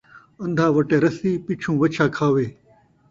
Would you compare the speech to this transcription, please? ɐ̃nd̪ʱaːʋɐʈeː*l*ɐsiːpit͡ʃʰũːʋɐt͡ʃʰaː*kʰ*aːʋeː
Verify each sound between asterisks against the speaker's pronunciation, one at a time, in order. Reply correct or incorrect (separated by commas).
incorrect, correct